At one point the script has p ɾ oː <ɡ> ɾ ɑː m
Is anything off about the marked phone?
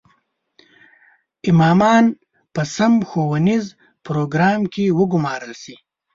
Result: no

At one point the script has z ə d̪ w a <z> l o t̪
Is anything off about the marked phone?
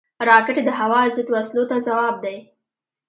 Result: yes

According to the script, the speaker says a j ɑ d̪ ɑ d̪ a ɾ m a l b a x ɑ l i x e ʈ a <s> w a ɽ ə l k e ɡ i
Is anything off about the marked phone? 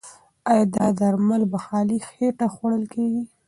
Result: yes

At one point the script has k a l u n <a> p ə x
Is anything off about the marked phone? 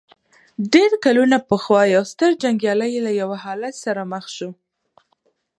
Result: no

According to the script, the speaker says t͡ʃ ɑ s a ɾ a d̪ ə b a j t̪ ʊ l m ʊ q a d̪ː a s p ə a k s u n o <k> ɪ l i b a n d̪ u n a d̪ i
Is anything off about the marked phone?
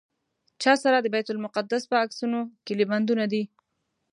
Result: no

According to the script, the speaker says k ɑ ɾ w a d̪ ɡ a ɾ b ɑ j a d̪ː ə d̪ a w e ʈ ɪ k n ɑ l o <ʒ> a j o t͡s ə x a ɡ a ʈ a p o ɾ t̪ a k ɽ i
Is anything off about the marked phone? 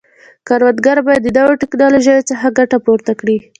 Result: no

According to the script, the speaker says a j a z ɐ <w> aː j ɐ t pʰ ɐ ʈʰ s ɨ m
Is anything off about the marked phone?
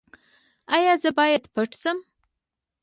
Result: yes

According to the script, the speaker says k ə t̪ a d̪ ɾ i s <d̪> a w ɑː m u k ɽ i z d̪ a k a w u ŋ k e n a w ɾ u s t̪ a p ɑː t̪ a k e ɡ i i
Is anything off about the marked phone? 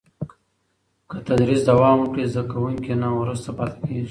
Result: no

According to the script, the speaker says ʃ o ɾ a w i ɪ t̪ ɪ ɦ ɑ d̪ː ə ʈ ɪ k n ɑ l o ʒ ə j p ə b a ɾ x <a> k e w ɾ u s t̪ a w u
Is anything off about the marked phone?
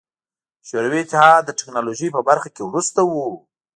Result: no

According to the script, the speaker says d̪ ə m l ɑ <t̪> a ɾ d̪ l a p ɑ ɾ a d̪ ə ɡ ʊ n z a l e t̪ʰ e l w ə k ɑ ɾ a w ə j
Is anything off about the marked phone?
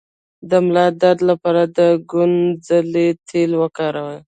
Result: yes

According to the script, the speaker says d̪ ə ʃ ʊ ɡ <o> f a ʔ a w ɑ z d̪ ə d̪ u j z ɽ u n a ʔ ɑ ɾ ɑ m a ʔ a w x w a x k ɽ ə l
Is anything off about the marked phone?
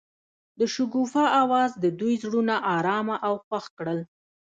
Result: yes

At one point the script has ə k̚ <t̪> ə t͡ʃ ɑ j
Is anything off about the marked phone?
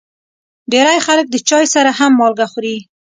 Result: yes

